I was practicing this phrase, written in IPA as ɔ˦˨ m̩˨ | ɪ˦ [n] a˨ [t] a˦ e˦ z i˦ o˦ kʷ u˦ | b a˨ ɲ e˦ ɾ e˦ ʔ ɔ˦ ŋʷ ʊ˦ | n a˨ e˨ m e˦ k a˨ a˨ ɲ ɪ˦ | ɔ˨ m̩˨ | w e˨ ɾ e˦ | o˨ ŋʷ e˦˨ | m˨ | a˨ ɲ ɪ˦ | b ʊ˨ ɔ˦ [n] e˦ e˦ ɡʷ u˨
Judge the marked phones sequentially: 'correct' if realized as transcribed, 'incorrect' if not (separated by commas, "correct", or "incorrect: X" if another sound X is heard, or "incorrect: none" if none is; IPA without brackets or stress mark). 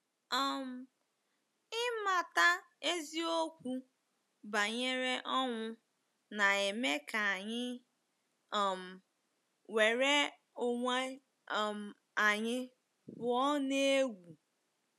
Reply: incorrect: m, correct, correct